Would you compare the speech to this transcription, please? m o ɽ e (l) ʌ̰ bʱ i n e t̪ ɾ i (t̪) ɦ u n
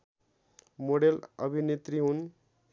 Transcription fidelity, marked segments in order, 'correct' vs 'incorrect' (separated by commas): correct, incorrect